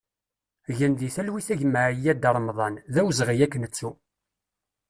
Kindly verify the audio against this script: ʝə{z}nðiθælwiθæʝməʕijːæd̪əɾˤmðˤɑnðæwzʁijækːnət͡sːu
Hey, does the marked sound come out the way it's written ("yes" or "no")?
no